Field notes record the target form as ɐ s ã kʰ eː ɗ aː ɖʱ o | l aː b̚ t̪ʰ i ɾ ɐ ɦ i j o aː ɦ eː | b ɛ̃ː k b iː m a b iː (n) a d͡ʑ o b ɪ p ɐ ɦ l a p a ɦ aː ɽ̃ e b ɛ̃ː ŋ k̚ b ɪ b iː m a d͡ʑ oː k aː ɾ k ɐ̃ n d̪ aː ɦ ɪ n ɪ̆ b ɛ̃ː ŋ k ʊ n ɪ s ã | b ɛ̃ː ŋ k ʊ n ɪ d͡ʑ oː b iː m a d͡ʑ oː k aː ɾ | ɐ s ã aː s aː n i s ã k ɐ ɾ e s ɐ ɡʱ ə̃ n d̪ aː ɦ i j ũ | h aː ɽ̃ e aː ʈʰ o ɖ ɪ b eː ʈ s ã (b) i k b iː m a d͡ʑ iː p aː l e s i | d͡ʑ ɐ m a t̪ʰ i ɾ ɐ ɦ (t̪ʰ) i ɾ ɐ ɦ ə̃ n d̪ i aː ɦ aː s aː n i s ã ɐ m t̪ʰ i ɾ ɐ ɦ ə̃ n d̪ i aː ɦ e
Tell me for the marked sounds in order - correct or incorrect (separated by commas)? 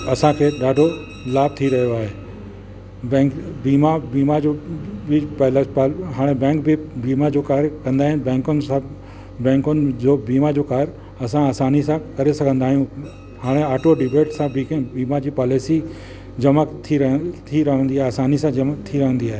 incorrect, correct, correct